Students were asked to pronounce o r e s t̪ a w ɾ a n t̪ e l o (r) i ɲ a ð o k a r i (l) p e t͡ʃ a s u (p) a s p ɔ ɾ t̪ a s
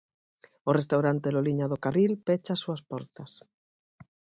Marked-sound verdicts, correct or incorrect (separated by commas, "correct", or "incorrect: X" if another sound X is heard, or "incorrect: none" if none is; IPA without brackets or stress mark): incorrect: l, correct, incorrect: none